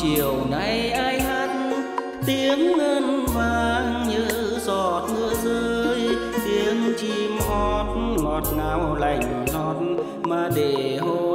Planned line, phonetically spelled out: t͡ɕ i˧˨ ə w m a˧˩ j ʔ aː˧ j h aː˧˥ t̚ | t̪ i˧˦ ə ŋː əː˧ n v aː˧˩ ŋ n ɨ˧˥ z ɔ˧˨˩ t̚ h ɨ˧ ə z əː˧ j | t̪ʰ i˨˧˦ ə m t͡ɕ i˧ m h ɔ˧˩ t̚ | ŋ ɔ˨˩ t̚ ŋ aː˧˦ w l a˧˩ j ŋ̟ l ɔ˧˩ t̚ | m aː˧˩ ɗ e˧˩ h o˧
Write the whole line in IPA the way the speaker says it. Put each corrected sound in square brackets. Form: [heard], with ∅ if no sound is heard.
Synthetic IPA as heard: t͡ɕ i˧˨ ə w [n] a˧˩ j ʔ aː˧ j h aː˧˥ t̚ | t̪ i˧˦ ə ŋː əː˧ n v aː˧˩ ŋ [ɲ] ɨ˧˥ z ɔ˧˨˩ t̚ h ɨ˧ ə z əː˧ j | [t̪] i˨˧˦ ə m t͡ɕ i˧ m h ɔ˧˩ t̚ | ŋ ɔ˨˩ t̚ ŋ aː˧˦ w l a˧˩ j ŋ̟ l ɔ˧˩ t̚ | m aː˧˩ ɗ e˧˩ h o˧